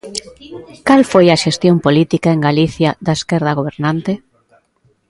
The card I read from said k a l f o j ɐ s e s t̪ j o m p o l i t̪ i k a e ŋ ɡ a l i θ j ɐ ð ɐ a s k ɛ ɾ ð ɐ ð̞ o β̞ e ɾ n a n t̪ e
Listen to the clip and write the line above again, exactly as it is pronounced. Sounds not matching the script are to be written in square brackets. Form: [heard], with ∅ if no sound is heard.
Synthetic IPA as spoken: k a l f o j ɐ [ʃ] e s t̪ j o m p o l i t̪ i k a e ŋ ɡ a l i θ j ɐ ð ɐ [e] s k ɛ ɾ ð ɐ [ɣ̞] o β̞ e ɾ n a n t̪ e